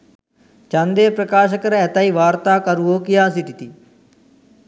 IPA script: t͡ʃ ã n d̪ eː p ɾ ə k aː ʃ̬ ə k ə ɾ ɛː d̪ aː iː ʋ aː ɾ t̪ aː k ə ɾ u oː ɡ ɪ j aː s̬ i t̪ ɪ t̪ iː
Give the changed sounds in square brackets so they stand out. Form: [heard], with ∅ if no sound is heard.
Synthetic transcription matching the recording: t͡ʃ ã n d̪ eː p ɾ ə k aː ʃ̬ ə k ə ɾ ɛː [t̪] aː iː ʋ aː ɾ t̪ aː k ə ɾ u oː [k] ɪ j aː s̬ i t̪ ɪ t̪ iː